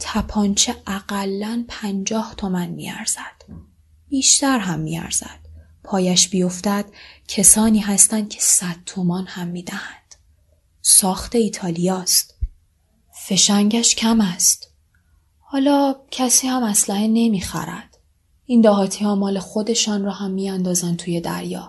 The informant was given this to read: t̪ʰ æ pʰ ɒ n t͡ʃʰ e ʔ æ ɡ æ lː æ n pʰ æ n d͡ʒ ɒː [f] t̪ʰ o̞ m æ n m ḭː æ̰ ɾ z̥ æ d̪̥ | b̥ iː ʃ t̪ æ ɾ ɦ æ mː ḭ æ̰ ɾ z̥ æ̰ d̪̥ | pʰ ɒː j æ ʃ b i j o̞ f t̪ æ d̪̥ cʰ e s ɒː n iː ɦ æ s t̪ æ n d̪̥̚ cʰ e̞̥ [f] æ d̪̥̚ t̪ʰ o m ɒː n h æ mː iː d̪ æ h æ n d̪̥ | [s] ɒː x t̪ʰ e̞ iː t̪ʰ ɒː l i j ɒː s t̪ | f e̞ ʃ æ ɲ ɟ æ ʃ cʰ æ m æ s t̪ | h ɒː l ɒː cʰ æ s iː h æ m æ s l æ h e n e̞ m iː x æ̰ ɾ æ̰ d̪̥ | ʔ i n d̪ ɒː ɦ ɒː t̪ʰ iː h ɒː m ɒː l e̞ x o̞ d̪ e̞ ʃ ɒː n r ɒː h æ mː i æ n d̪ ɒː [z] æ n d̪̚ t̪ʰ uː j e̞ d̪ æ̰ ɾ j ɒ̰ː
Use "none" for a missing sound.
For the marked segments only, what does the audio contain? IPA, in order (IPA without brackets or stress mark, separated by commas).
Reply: h, s, s, z